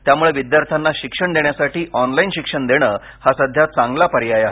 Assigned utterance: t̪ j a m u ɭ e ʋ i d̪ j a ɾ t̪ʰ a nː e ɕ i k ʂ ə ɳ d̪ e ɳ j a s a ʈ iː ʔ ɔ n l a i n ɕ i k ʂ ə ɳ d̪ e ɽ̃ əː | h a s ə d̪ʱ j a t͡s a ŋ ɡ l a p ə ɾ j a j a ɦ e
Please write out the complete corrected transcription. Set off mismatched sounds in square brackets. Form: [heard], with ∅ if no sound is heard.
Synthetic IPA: t̪ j a m u ɭ e ʋ i d̪ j a ɾ t̪ʰ a nː [a] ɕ i k ʂ ə ɳ d̪ e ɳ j a s a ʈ iː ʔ ɔ n l a i n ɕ i k ʂ ə ɳ d̪ e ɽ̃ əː | h a s ə d̪ʱ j a t͡s a ŋ ɡ l a p ə ɾ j a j a ɦ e